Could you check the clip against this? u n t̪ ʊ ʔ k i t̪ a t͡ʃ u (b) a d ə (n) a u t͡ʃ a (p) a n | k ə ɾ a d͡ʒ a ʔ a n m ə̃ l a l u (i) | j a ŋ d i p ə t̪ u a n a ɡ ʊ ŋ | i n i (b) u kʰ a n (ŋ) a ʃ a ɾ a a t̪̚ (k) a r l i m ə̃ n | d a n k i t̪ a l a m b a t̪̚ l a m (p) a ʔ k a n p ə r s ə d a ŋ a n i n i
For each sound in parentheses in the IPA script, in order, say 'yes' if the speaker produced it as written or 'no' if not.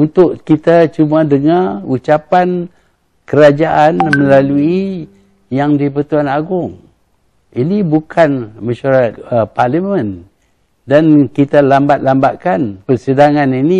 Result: no, no, yes, yes, yes, no, no, no

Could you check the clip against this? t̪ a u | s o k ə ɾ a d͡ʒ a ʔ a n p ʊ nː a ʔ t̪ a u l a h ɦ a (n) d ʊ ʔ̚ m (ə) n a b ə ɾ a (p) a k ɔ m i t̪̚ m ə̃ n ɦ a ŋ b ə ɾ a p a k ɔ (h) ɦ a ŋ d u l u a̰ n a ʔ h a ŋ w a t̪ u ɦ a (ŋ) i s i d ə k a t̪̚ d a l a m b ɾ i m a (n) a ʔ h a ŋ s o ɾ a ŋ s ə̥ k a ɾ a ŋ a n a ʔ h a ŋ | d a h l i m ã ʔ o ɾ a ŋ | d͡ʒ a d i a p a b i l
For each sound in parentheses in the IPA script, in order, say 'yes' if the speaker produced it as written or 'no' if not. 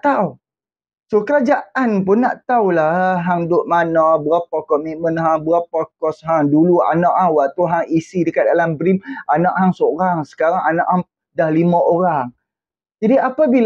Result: no, no, yes, no, yes, yes

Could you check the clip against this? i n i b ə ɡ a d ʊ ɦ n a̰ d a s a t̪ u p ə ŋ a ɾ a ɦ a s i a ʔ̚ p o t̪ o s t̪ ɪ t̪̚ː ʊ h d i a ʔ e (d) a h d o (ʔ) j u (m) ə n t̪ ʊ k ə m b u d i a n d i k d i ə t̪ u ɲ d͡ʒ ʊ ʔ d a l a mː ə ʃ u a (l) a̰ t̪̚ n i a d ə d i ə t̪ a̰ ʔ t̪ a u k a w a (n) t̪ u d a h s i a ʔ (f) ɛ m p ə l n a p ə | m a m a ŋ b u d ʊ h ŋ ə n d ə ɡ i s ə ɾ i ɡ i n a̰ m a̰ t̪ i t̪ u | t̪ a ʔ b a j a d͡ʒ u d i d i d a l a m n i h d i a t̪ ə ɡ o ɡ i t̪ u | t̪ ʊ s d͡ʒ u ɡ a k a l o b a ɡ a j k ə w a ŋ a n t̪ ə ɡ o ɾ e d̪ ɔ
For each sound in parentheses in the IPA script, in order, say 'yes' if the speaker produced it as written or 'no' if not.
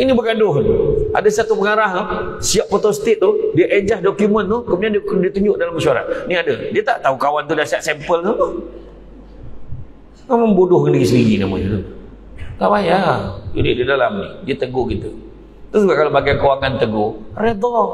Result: no, no, yes, no, yes, no

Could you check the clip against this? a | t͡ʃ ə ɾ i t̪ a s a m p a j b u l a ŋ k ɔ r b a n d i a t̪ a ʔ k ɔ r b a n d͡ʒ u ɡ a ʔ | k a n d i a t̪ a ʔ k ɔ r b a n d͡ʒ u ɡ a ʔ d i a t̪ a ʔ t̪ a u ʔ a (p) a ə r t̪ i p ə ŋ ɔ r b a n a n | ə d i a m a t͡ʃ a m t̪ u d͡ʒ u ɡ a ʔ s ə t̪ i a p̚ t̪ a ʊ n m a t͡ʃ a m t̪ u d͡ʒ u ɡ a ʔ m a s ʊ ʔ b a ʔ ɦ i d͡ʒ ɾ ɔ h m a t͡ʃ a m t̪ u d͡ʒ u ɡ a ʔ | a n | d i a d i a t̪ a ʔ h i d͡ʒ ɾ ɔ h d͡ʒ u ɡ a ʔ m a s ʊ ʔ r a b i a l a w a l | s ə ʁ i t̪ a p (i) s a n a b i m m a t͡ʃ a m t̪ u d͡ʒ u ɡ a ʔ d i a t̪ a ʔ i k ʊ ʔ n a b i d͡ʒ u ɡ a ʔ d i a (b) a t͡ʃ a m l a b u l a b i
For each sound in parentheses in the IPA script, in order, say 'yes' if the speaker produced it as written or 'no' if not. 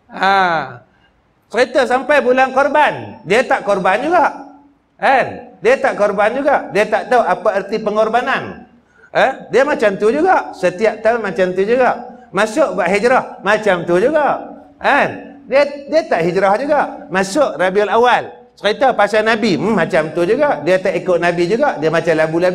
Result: yes, no, no

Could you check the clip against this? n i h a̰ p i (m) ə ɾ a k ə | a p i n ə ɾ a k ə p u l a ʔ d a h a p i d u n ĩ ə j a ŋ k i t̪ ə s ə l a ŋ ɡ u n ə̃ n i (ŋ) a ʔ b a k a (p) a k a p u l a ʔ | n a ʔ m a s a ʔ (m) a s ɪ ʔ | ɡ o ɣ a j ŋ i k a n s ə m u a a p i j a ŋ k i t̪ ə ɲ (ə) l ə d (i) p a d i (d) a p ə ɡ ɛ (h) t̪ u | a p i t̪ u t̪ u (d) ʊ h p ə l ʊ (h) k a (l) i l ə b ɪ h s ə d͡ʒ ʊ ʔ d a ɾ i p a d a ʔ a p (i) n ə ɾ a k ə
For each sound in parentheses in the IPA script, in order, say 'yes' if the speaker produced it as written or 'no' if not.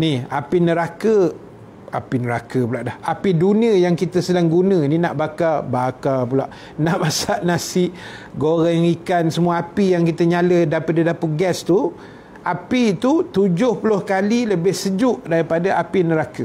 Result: no, no, no, no, no, no, yes, no, no, yes, yes, yes

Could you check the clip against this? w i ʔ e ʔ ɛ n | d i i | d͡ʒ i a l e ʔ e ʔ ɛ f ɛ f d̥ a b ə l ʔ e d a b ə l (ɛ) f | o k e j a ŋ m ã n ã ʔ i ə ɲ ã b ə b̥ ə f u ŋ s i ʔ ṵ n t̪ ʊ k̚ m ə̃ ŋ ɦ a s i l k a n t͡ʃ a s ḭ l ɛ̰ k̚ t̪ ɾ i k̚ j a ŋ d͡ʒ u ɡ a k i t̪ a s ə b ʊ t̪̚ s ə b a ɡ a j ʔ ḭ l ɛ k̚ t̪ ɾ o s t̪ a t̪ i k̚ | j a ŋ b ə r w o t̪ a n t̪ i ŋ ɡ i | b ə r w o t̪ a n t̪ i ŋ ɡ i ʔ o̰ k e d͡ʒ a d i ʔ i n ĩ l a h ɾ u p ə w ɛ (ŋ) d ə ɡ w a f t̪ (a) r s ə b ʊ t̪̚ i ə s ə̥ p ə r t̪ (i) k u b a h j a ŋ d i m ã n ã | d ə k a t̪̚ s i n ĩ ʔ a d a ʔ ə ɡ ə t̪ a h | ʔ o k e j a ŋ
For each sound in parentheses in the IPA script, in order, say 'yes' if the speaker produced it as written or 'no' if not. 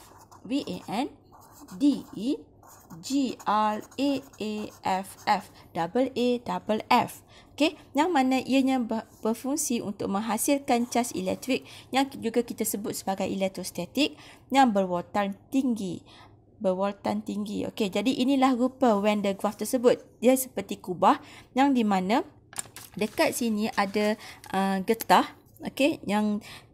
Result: yes, no, no, yes

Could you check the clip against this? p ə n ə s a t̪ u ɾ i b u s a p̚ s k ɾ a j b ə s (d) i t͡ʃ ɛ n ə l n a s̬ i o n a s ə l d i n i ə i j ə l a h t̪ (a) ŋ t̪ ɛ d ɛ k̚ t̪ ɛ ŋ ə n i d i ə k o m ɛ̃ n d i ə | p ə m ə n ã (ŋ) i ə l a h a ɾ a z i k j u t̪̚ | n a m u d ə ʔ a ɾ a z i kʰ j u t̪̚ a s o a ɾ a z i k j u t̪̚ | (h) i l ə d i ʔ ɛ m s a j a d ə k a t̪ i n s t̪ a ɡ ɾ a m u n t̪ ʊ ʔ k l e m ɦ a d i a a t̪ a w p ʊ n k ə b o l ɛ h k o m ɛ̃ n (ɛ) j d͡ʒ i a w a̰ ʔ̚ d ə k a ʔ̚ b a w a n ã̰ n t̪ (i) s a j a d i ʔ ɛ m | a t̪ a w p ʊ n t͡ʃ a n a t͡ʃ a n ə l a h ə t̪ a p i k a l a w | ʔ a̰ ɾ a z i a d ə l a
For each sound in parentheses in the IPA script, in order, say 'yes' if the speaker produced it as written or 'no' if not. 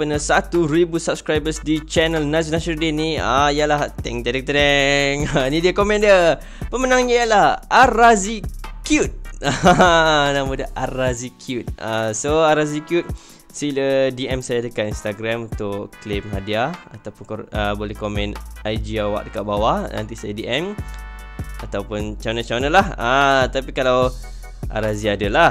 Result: yes, no, yes, no, no, yes

